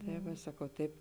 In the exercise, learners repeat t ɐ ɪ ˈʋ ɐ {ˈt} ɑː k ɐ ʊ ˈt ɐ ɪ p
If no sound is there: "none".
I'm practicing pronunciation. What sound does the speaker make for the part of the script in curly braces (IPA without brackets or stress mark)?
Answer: s